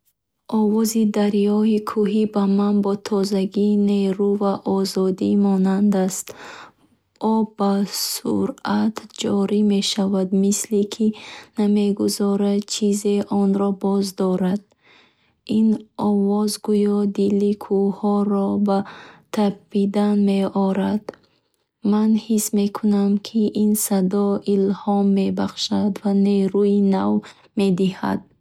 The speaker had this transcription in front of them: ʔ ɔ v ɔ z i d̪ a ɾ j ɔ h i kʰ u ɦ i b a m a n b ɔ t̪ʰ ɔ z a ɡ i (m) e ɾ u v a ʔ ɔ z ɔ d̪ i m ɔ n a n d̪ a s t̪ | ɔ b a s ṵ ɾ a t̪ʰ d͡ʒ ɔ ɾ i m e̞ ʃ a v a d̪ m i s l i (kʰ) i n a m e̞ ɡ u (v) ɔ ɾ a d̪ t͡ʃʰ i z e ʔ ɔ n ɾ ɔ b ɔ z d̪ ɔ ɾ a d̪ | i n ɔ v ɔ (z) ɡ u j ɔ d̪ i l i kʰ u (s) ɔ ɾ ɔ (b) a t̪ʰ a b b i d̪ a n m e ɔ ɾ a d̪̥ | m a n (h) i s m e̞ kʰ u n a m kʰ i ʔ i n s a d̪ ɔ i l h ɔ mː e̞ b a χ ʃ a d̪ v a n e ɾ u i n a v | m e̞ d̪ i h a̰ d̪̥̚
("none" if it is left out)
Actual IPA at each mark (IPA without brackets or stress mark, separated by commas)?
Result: n, kʰ, z, z, h, b, h